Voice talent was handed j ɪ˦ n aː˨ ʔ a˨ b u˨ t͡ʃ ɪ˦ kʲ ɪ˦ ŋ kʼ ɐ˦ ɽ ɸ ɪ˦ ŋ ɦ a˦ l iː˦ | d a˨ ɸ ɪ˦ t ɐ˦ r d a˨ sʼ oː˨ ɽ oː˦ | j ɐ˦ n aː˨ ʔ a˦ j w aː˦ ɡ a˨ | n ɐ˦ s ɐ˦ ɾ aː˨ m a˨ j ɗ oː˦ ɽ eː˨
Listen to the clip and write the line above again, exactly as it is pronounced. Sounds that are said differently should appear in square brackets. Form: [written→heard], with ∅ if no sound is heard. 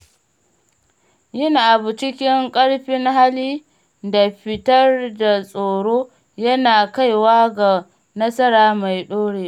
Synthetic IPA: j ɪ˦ n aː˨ ʔ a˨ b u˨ t͡ʃ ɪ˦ kʲ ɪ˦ ŋ kʼ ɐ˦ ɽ ɸ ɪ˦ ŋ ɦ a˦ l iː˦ | d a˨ ɸ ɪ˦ t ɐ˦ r d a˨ sʼ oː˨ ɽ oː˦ | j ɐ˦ n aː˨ [ʔ→k] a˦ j w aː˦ ɡ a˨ | n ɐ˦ s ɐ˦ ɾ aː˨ m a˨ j ɗ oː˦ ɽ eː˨